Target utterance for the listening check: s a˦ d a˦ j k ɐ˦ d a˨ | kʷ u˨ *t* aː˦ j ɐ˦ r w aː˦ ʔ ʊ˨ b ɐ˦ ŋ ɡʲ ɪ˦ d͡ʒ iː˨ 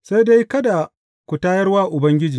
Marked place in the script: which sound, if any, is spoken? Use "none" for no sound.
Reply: t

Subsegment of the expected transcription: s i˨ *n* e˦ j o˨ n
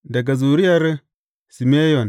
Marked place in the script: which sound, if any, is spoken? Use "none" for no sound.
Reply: m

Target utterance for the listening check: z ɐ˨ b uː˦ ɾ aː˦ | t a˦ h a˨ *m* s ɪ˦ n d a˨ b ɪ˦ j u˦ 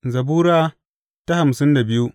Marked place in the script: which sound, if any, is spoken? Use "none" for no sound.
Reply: m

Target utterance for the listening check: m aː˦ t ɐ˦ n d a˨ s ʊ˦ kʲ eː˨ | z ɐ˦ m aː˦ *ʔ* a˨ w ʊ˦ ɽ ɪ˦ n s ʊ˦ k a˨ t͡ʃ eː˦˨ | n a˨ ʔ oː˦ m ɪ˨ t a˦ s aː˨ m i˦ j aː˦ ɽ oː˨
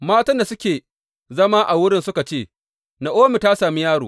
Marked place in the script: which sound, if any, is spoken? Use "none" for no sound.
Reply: ʔ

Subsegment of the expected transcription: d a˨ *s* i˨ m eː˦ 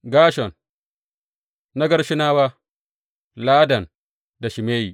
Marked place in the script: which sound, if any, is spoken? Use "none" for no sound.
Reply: ʃ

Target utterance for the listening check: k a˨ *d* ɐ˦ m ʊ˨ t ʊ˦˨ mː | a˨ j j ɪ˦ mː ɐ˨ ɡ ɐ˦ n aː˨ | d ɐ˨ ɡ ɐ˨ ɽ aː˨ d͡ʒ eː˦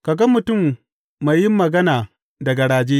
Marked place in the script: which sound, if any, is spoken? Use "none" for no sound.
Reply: ɡ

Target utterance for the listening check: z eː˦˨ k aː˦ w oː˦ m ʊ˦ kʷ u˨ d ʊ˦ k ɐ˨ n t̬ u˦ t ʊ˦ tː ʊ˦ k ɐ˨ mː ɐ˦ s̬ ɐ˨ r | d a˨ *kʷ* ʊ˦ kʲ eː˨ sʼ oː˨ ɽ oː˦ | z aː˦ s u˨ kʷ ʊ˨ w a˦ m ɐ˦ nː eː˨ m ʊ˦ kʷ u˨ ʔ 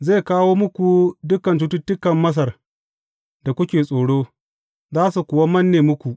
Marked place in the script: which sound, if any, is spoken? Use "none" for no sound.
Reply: kʷ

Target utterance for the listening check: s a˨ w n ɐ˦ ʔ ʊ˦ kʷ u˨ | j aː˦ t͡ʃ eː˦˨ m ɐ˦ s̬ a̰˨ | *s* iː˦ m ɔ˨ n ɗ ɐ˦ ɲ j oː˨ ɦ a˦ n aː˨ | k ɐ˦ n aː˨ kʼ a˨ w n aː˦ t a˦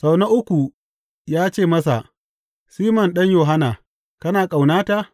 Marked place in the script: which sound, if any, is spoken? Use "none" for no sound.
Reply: s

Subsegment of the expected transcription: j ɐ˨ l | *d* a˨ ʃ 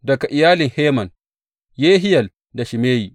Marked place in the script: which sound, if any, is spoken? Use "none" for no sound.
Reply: d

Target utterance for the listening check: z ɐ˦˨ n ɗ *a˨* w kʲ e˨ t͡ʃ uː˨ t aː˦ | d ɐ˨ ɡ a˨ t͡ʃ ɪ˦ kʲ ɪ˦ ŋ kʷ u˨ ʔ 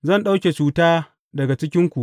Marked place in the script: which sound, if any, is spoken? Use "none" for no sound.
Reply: a˦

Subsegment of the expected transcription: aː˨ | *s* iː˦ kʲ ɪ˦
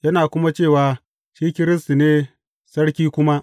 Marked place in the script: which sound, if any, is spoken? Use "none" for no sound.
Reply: ʃ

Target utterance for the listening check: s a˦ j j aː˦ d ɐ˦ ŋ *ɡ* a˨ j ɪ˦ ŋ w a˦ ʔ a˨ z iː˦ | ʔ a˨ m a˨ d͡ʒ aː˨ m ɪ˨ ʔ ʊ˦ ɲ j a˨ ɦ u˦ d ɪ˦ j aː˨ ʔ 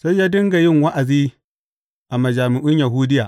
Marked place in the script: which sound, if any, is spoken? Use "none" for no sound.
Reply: ɡ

